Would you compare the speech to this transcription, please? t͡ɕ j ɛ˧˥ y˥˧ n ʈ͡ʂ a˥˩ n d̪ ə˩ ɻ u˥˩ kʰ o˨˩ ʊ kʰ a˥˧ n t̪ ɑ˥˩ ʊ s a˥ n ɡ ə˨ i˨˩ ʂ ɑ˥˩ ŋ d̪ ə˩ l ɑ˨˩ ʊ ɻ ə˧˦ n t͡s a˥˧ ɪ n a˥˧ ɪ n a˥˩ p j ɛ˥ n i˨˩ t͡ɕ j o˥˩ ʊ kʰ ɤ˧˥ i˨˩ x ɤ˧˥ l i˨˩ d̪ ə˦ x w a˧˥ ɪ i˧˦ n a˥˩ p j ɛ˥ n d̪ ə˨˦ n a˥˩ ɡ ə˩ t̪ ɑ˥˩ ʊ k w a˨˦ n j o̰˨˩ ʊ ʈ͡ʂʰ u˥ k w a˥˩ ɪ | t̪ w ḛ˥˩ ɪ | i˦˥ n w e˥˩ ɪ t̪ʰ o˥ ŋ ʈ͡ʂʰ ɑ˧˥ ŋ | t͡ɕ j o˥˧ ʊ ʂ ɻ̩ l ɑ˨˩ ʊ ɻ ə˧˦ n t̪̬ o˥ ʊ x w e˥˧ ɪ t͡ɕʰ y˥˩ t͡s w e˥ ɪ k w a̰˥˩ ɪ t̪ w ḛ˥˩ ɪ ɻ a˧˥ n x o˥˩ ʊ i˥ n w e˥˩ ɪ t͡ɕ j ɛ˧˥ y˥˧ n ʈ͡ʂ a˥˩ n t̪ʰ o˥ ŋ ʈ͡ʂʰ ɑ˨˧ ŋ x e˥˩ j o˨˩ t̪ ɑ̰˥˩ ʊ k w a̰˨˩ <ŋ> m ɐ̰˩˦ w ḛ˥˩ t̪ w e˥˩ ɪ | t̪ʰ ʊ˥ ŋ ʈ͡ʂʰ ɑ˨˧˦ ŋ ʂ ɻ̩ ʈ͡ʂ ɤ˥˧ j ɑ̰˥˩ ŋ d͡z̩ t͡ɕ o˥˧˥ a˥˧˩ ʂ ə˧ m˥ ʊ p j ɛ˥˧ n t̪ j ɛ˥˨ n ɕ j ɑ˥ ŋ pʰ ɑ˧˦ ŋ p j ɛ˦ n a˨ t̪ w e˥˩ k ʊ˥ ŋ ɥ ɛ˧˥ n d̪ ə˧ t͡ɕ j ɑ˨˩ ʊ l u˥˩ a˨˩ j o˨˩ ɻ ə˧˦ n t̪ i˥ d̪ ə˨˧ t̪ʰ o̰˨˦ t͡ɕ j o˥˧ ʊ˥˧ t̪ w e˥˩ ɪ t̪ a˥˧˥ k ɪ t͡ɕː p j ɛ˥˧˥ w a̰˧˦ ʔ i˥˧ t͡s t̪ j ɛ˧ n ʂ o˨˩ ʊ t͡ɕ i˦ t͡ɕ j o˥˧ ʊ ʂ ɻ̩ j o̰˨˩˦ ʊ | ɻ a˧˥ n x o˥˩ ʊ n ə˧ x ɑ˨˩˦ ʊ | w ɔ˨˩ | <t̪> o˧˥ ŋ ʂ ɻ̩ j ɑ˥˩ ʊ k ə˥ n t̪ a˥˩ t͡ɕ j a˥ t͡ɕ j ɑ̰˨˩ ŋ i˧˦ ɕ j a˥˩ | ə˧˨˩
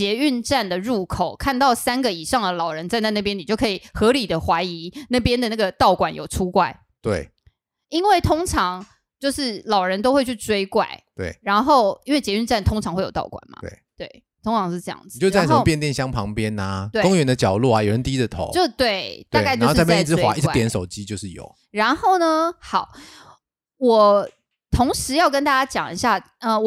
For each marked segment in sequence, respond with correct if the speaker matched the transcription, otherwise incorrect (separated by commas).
incorrect, incorrect